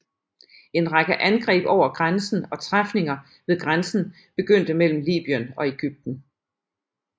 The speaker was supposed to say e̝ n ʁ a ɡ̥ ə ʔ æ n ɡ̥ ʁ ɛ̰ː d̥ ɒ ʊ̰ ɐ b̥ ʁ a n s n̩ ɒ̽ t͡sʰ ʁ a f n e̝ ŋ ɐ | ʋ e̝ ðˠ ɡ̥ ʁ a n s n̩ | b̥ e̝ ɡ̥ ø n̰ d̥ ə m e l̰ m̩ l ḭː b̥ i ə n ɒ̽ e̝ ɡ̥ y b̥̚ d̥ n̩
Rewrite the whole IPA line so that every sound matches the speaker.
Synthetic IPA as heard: e̝ n ʁ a ɡ̥ ə ʔ æ n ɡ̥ ʁ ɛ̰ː b̥ ɒ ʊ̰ ɐ ɡ̥ ʁ a n s n̩ ɒ̽ t͡sʰ ʁ a f n e̝ ŋ ɐ | ʋ e̝ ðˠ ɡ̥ ʁ a n s n̩ | b̥ e̝ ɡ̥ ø n̰ d̥ ə m e l̰ m̩ l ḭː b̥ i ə n ɒ̽ e̝ ɡ̥ y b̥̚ d̥ n̩